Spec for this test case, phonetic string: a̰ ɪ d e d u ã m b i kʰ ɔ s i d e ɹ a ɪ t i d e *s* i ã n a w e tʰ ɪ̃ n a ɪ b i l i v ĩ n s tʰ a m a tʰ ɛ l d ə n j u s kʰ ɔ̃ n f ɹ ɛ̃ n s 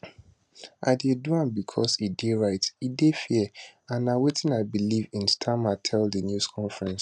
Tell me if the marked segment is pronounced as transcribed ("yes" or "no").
no